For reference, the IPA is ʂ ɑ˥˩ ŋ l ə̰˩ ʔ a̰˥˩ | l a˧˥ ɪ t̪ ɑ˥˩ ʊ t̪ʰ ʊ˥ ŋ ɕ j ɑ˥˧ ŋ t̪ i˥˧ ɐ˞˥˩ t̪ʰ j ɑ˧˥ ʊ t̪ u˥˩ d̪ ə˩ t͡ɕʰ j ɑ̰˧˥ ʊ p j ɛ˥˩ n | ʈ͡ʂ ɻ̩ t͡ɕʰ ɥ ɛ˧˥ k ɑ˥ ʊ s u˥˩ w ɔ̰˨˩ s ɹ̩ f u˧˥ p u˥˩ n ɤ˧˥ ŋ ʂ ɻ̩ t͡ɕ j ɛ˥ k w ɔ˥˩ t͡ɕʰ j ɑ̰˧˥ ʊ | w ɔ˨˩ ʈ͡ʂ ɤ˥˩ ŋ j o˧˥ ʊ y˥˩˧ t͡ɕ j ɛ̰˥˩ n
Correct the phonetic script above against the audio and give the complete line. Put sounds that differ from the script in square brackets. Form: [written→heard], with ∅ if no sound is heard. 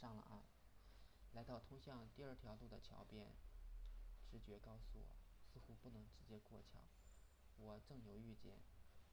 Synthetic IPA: ʂ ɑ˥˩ ŋ l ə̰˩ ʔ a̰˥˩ | l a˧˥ ɪ t̪ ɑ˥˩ ʊ t̪ʰ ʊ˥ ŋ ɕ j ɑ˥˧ ŋ t̪ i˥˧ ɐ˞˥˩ t̪ʰ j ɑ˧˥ ʊ t̪ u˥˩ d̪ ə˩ t͡ɕʰ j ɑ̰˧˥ ʊ p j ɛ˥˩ n | ʈ͡ʂ ɻ̩ [t͡ɕʰ→t͡ɕ] ɥ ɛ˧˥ k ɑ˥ ʊ s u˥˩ w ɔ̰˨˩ s ɹ̩ [f→x] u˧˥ p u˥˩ n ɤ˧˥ ŋ [ʂ→ʈ͡ʂ] ɻ̩ t͡ɕ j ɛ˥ k w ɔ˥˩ t͡ɕʰ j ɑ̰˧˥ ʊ | w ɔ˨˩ ʈ͡ʂ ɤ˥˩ ŋ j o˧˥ ʊ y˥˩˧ t͡ɕ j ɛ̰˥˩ n